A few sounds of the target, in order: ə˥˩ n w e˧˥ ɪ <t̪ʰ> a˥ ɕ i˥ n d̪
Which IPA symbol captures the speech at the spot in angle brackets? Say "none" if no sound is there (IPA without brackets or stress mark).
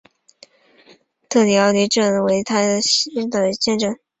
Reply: t̪ʰ